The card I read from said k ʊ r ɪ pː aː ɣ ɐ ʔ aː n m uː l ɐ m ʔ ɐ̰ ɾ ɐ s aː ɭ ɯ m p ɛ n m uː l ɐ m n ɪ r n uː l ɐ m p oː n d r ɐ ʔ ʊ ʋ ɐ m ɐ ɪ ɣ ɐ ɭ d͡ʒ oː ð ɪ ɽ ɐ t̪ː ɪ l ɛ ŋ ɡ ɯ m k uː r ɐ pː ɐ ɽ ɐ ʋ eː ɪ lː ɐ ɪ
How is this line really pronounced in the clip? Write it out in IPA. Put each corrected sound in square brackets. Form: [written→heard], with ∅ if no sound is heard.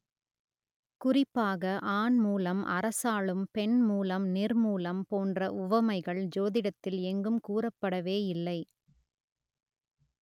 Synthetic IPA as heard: k ʊ r ɪ pː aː ɣ ɐ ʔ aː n m uː l ɐ m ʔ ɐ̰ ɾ ɐ s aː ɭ ɯ m p ɛ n m uː l ɐ m n ɪ r [n→m] uː l ɐ m p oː n d r ɐ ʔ ʊ ʋ ɐ m ɐ ɪ ɣ ɐ ɭ d͡ʒ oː ð ɪ ɽ ɐ t̪ː ɪ l ɛ ŋ ɡ ɯ m k uː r ɐ pː ɐ ɽ ɐ ʋ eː ɪ lː ɐ ɪ